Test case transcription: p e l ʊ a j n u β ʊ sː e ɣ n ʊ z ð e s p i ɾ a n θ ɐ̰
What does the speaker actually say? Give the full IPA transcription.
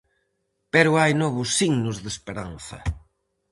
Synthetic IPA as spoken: p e ɾ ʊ a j n ɔ β ʊ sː i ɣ n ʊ z ð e s p e ɾ a n θ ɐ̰

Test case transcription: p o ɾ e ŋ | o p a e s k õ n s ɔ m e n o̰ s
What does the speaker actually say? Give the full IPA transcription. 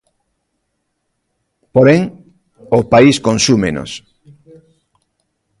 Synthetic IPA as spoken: p o ɾ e ŋ | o p a i s k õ n s u m e n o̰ s

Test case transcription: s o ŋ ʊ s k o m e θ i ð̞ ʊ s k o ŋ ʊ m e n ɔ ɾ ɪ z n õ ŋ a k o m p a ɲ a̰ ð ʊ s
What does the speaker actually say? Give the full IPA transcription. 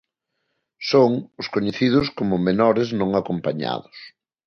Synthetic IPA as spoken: s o ŋ ʊ s k o ɲ e θ i ð̞ ʊ s k o m ʊ m e n ɔ ɾ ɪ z n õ ŋ a k o m p a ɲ a̰ ð ʊ s

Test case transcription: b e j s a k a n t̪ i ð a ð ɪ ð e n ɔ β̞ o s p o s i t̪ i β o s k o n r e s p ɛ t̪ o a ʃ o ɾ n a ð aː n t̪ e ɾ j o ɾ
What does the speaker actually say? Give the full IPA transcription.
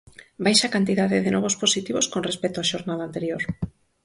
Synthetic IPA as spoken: b a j ʃ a k a n t̪ i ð a ð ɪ ð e n ɔ β̞ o s p o s i t̪ i β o s k o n r e s p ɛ t̪ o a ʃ o ɾ n a ð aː n t̪ e ɾ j o ɾ

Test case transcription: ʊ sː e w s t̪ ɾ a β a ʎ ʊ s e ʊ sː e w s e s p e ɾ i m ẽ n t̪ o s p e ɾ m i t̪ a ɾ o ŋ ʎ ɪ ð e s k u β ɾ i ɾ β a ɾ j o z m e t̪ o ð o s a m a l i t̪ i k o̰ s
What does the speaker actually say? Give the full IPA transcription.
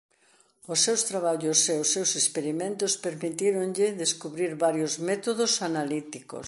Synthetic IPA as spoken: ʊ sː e w s t̪ ɾ a β a ʎ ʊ s e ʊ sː e w s e s p e ɾ i m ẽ n t̪ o s p e ɾ m i t̪ i ɾ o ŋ ʎ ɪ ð e s k u β ɾ i ɾ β a ɾ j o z m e t̪ o ð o s a n a l i t̪ i k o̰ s

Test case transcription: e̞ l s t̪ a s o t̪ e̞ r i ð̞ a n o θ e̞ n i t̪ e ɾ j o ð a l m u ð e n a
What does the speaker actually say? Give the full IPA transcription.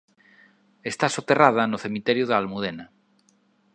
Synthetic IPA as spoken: e̞ s t̪ a s o t̪ e̞ r a ð̞ a n o θ e̞ m i t̪ e ɾ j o ð a l m u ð e n a

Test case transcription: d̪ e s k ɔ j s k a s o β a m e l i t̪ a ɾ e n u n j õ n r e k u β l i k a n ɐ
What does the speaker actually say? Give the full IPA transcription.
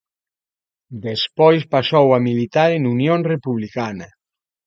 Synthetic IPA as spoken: d̪ e s p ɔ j s p a s o w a m i l i t̪ a ɾ e n u n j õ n r e p u β l i k a n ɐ

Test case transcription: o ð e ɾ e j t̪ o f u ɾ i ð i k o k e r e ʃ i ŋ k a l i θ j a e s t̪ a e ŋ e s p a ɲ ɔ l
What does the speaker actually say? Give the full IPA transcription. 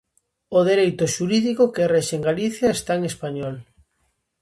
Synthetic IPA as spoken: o ð e ɾ e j t̪ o ʃ u ɾ i ð i k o k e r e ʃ e ŋ ɡ a l i θ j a e s t̪ a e ŋ e s p a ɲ ɔ l

